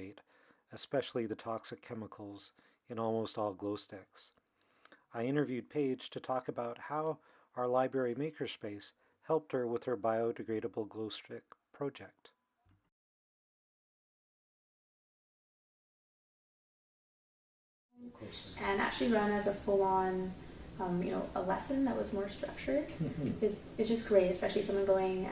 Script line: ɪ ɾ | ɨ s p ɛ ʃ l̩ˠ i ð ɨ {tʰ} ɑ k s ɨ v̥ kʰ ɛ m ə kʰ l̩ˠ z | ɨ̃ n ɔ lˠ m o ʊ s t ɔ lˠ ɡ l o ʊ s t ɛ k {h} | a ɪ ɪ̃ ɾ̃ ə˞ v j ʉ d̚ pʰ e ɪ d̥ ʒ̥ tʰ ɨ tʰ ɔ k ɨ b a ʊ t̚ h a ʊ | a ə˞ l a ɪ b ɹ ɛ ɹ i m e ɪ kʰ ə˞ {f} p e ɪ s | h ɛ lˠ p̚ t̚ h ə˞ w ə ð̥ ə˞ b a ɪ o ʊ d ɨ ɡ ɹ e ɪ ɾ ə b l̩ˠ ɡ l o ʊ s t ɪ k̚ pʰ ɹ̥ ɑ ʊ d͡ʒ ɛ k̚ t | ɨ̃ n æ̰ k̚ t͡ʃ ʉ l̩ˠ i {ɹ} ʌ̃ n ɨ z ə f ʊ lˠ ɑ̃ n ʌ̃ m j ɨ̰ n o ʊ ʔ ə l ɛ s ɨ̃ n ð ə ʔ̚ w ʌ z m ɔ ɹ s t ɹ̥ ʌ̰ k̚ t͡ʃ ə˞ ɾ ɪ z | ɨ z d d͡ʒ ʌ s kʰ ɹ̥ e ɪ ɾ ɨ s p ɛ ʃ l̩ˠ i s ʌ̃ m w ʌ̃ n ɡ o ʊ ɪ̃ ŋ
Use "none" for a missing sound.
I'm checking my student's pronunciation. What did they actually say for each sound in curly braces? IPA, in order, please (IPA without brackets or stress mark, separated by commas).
tʰ, s, s, ɹ